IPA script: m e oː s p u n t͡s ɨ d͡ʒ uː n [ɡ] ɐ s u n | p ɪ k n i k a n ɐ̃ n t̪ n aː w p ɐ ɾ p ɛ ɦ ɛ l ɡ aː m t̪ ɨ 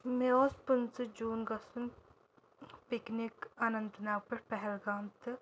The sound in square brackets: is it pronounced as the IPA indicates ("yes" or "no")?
yes